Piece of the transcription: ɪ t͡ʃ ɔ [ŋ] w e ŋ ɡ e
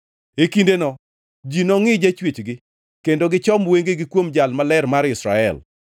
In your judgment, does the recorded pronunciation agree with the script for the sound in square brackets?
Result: no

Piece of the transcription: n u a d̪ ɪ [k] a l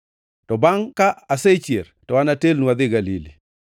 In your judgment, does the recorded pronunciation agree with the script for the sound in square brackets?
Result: no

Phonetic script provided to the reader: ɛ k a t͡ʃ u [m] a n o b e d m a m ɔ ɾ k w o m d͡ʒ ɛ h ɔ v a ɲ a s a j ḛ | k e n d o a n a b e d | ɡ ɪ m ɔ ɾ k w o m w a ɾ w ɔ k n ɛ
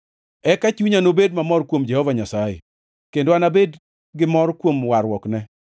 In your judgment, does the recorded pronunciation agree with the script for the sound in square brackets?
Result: no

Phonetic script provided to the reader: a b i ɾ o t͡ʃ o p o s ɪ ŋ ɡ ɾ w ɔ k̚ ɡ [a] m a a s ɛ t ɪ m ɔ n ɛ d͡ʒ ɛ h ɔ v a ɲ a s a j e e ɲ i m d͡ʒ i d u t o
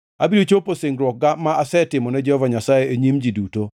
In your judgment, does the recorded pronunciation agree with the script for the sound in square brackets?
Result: yes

